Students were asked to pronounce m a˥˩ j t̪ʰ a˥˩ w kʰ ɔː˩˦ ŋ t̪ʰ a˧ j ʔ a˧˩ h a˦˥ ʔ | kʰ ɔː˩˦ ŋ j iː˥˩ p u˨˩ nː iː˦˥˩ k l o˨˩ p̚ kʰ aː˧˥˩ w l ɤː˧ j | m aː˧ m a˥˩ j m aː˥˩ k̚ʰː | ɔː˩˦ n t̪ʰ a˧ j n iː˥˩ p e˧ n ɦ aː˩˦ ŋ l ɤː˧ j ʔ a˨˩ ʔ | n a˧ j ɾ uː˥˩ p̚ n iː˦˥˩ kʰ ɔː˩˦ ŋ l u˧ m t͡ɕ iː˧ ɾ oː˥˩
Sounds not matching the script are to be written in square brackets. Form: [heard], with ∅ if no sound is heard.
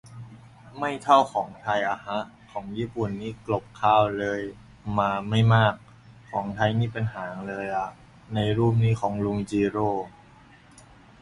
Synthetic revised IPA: m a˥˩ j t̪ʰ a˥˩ w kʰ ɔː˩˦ ŋ t̪ʰ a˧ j ʔ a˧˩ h a˦˥ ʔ | kʰ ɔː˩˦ ŋ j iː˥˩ p u˨˩ nː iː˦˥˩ k l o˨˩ p̚ kʰ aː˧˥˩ w l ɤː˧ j | m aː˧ m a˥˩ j m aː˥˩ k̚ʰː | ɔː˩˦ [ŋ] t̪ʰ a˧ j n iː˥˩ p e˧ n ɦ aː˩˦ ŋ l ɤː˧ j ʔ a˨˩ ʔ | n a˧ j ɾ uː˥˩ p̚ n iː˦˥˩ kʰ ɔː˩˦ ŋ l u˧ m t͡ɕ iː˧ ɾ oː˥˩